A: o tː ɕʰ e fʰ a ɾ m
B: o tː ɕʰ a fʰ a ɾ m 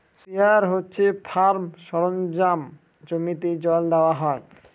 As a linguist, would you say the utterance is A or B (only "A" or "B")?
A